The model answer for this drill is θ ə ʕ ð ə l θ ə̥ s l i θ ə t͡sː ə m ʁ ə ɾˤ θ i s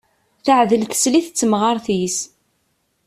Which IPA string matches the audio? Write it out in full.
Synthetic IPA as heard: θ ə ʕ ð ə l θ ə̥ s l i θ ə t͡sː ə m ʁ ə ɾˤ θ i s